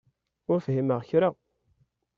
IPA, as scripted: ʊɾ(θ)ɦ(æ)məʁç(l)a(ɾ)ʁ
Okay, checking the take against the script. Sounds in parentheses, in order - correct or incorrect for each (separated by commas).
incorrect, incorrect, incorrect, incorrect